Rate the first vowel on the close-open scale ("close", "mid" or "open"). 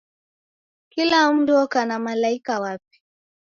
close